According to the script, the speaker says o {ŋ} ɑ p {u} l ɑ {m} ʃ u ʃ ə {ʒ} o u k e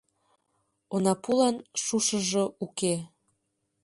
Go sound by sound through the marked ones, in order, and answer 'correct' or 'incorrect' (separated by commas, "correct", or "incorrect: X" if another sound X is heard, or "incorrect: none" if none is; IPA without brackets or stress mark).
incorrect: n, correct, incorrect: n, correct